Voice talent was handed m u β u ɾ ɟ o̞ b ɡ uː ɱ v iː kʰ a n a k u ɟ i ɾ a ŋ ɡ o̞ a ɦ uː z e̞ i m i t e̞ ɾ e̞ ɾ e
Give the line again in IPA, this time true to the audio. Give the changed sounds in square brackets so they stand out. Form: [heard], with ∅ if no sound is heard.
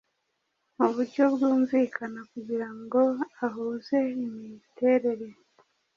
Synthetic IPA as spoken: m u β u ɾ ɟ o̞ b ɡ uː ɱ v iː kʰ a n a k u ɟ i ɾ a ŋ ɡ o̞ a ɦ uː z e̞ i m i t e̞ ɾ e̞ ɾ e